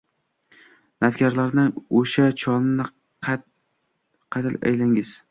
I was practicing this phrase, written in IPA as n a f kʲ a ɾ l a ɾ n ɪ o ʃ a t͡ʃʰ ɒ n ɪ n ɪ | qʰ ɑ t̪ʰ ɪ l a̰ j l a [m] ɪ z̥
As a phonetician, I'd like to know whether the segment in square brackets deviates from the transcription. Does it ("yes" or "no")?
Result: yes